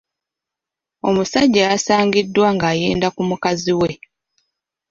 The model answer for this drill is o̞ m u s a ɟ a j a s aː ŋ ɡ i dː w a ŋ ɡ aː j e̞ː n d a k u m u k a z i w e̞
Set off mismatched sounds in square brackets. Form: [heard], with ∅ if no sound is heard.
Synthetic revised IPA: o̞ m u s a [ɟː] a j a s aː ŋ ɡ i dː w a ŋ ɡ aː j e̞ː n d a k u m u k a z i w e̞